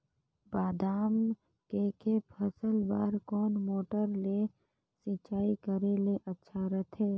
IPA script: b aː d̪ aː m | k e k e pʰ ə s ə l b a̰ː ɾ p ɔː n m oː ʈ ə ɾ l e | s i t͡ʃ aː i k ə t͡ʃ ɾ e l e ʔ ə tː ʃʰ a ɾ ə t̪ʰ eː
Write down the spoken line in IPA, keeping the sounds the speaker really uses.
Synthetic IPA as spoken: b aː d̪ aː m | k e k e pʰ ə s ə l b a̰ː ɾ k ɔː n m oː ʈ ə ɾ l e | s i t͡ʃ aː i k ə ɾ e l e ʔ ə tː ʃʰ a ɾ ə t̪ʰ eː